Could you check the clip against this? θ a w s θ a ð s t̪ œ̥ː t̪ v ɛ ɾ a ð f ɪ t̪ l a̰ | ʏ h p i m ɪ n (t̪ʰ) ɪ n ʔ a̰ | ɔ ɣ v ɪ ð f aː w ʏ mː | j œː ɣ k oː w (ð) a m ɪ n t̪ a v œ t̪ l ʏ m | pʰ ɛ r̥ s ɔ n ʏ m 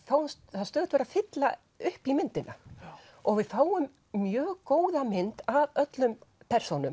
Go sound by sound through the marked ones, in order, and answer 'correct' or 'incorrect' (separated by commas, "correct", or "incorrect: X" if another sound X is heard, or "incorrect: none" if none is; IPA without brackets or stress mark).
incorrect: t̪, correct